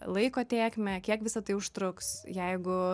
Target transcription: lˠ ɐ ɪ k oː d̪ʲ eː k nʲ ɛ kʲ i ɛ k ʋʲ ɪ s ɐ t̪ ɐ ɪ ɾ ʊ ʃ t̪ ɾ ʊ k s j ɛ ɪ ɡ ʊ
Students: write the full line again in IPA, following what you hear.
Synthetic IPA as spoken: lˠ ɐ ɪ k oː t̪ʲ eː k mʲ ɛ kʲ i ɛ k ʋʲ ɪ s ɐ t̪ ɐ ɪ ʊ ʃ t̪ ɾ ʊ k s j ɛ ɪ ɡ ʊ